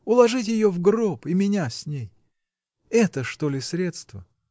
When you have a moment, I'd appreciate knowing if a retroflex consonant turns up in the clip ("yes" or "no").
yes